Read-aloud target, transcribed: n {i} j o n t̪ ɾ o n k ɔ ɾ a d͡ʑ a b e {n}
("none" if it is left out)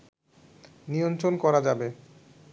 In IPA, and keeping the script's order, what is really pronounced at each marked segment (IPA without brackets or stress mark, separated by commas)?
i, none